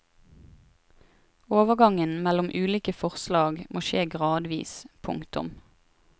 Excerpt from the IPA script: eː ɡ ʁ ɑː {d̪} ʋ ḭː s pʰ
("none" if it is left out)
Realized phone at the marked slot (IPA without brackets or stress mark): d̪